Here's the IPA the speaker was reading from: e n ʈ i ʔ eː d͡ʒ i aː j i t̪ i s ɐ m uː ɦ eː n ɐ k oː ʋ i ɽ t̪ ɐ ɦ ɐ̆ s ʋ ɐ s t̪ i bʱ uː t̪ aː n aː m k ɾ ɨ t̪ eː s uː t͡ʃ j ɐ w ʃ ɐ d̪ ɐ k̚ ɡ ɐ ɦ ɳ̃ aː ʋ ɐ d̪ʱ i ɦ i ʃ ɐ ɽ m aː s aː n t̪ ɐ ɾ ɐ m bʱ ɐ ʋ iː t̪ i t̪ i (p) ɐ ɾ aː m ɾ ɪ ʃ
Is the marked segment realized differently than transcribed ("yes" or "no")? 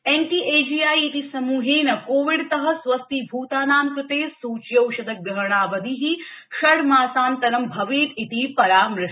no